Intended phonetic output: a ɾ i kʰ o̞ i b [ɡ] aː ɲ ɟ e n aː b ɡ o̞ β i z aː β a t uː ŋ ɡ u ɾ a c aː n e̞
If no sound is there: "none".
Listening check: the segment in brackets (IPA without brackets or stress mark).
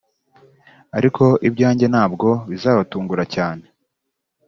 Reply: ɟ